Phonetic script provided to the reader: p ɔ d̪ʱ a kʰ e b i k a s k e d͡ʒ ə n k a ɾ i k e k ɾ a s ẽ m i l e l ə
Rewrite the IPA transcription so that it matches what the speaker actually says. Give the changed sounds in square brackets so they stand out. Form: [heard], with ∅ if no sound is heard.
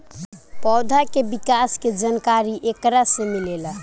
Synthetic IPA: p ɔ d̪ʱ a [k] e b i k a s k e d͡ʒ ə n k a ɾ i [ʔ] e k ɾ a s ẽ m i l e l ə